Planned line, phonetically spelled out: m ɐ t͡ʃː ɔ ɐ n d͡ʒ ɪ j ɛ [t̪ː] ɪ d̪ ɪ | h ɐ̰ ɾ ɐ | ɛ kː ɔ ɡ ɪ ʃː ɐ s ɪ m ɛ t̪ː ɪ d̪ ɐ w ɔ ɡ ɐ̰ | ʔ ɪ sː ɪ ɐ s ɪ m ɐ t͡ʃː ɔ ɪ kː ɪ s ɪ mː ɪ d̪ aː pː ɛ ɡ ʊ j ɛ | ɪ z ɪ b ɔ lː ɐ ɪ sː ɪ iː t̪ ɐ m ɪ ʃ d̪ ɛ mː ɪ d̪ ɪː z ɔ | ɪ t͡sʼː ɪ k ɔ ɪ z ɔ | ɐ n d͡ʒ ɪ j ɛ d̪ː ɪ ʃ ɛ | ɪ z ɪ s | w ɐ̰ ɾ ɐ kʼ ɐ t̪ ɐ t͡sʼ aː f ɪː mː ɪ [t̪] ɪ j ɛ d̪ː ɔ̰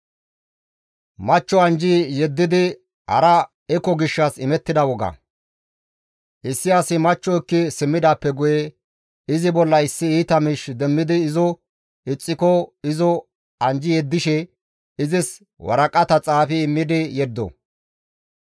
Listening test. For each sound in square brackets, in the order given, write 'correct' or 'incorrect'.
incorrect, incorrect

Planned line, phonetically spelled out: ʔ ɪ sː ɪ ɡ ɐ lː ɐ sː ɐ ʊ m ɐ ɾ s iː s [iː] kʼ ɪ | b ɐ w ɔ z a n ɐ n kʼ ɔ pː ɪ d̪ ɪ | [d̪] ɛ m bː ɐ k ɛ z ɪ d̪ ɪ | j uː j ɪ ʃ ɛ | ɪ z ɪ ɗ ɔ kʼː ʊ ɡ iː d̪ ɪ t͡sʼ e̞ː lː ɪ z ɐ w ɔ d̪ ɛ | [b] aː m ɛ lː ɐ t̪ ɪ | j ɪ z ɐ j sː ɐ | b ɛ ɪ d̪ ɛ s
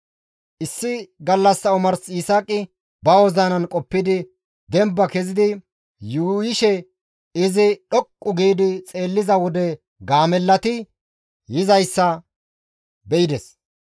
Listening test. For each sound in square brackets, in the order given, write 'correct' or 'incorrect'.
incorrect, correct, incorrect

